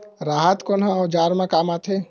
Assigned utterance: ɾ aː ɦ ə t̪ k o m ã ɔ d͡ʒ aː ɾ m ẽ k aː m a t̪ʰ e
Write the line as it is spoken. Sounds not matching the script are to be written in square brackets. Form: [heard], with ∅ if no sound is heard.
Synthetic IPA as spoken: ɾ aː ɦ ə t̪ k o [n] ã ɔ d͡ʒ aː ɾ m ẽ k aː m a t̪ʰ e